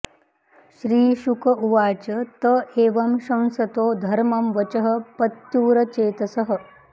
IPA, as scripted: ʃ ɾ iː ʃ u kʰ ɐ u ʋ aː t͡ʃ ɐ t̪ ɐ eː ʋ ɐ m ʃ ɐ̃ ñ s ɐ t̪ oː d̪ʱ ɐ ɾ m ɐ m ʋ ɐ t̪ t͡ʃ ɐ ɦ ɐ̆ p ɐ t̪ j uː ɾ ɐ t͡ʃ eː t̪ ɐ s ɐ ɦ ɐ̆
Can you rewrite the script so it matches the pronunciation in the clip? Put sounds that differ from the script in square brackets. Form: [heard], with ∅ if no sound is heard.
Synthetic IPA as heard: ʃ ɾ iː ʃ u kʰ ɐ u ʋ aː t͡ʃ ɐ t̪ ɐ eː ʋ ɐ m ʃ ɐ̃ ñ s ɐ t̪ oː d̪ʱ ɐ ɾ m ɐ m ʋ ɐ [∅] t͡ʃ ɐ ɦ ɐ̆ p ɐ t̪ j uː ɾ ɐ t͡ʃ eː t̪ ɐ s ɐ ɦ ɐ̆